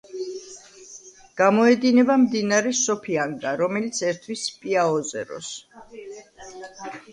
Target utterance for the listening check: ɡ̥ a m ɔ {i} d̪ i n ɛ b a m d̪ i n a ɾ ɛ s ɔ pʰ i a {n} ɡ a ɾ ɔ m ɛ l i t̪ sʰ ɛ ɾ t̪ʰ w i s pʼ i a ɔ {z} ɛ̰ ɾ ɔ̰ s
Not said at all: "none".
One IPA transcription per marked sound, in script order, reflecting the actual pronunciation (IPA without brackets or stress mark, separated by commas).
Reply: ɛ, ŋ, z